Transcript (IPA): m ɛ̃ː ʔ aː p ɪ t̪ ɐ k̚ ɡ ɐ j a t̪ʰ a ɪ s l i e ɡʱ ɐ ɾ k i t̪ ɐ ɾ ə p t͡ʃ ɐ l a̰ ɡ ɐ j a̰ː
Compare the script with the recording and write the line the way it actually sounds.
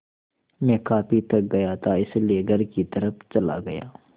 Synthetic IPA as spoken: m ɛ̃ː k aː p i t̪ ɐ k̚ ɡ ɐ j a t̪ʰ a ɪ s l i e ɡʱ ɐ ɾ k i t̪ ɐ ɾ ə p t͡ʃ ɐ l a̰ ɡ ɐ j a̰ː